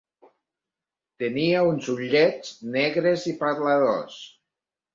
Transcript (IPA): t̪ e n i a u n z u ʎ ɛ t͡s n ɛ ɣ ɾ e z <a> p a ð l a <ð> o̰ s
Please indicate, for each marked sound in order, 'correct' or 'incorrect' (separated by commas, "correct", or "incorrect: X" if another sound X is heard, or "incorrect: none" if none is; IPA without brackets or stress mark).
incorrect: i, correct